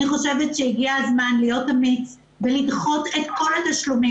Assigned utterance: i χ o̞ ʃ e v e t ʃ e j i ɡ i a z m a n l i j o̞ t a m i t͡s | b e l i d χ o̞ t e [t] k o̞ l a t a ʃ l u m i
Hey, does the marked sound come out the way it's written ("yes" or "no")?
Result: yes